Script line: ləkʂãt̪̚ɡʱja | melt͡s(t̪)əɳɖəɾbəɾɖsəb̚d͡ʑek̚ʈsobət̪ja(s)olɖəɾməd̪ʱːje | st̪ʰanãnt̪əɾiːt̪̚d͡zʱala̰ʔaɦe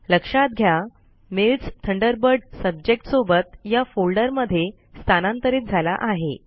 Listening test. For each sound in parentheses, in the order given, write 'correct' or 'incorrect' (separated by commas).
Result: incorrect, incorrect